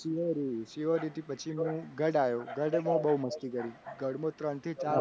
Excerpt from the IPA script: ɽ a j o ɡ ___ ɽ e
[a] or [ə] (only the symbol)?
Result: ə